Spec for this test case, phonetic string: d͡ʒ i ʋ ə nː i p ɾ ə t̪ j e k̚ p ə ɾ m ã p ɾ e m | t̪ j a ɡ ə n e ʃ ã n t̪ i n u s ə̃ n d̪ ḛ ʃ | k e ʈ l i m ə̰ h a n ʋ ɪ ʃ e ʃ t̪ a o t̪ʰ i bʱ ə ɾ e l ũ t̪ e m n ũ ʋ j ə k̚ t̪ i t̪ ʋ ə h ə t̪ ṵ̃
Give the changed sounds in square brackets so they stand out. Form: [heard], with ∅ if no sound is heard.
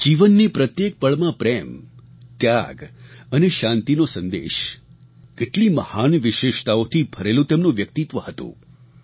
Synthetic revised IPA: d͡ʒ i ʋ ə nː i p ɾ ə t̪ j e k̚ p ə [ɭ] m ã p ɾ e m | t̪ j a ɡ ə n e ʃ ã n t̪ i n [o] s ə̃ n d̪ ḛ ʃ | k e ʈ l i m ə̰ h a n ʋ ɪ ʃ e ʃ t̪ a o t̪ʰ i bʱ ə ɾ e l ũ t̪ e m n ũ ʋ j ə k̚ t̪ i t̪ ʋ ə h ə t̪ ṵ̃